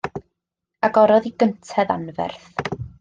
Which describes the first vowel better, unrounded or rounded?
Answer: unrounded